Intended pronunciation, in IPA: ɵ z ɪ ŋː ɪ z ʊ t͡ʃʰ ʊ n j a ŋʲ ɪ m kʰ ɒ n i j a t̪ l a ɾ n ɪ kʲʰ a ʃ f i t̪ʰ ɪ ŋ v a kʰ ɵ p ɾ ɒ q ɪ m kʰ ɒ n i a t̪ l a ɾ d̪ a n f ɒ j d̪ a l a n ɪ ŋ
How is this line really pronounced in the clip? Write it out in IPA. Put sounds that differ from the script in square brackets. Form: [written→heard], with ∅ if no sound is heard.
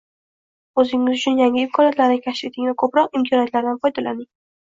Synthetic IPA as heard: ɵ z ɪ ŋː ɪ z ʊ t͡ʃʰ ʊ n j a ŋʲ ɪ m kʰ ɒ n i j a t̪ l a ɾ n ɪ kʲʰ a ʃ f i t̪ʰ ɪ ŋ v a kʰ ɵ p ɾ ɒ q ɪ m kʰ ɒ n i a t̪ l a ɾ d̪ a n f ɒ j d̪ a l a n ɪ ŋ